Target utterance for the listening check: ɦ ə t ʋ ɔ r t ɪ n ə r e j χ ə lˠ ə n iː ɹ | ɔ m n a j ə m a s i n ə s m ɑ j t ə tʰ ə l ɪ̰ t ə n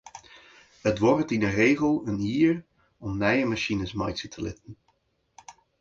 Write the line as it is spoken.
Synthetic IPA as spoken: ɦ ə t ʋ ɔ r t ɪ n ə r e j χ ə lˠ ə n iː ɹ | ɔ m n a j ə m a ʃ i n ə s m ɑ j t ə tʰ ə l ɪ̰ t ə n

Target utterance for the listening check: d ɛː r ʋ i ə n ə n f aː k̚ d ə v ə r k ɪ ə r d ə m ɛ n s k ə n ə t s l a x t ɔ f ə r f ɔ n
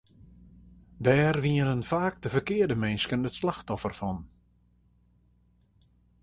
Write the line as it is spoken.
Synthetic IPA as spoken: d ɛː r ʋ i ə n ə n f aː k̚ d ə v ə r k ɪ ə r d ə m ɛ n s k ə n ə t s l a x t ɔ f ə r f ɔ n

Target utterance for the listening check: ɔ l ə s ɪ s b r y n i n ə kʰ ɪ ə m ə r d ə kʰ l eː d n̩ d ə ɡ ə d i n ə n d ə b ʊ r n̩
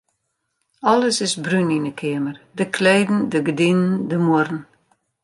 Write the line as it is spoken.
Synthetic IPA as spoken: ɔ l ə s ɪ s b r y n i n ə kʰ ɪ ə m ə r d ə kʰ l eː d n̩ d ə ɡ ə d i n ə n d ə m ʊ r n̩

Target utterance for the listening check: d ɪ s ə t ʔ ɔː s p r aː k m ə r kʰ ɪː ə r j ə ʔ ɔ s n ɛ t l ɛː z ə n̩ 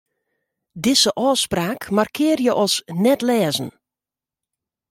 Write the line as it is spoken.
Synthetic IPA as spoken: d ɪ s ə ʔ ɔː s p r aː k m a r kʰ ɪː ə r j ə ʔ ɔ s n ɛ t l ɛː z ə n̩

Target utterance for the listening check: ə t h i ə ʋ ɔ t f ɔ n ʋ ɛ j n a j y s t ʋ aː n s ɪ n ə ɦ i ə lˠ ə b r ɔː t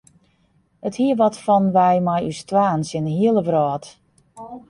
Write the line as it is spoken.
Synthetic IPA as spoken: ə t h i ə ʋ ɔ t f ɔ n ʋ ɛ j m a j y s t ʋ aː n s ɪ n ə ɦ i ə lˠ ə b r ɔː t

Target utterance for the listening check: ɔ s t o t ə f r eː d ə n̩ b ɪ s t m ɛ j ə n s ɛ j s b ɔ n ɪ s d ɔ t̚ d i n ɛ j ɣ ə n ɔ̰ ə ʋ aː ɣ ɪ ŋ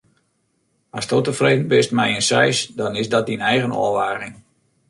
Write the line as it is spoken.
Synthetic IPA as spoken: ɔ s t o t ə f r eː d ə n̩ b ɪ s t m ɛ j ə n s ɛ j s d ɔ n ɪ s d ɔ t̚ d i n ɛ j ɣ ə n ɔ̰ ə ʋ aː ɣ ɪ ŋ

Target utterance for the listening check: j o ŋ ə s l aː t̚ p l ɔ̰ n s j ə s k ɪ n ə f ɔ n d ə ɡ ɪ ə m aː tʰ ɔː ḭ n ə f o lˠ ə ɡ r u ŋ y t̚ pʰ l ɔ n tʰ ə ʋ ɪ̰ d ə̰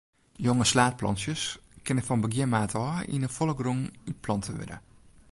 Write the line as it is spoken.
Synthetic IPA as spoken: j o ŋ ə s l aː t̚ p l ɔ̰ n s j ə s k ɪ n ə f ɔ n b ə ɡ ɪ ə m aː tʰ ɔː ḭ n ə f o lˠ ə ɡ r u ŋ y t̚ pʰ l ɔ n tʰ ə ʋ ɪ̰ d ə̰

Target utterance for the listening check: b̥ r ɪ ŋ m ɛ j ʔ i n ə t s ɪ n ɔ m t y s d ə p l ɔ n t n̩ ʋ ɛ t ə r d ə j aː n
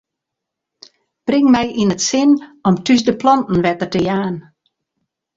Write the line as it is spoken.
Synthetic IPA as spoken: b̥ r ɪ ŋ m ɛ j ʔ i n ə t s ɪ n ɔ m t y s d ə p l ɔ n t n̩ ʋ ɛ t ə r t ə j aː n

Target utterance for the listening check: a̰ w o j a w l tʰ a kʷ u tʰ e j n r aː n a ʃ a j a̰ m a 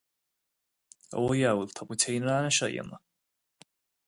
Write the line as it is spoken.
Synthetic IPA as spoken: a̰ w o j a w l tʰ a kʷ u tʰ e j n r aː n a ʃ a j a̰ m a

